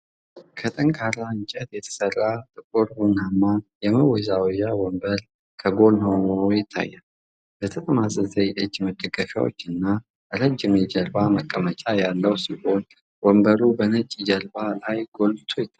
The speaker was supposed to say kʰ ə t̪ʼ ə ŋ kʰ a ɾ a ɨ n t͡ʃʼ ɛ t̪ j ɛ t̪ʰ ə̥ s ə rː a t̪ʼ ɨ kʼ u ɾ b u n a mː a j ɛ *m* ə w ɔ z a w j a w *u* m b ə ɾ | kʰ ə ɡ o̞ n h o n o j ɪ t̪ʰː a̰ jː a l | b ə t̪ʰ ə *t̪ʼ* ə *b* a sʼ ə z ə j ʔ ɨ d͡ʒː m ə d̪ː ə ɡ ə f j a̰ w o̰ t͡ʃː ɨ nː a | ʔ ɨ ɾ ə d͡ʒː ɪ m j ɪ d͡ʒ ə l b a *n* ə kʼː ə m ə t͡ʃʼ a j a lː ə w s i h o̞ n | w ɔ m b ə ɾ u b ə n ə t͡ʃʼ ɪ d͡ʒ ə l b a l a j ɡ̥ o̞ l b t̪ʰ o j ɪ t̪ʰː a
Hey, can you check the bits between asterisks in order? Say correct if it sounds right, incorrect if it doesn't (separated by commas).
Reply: correct, incorrect, correct, incorrect, incorrect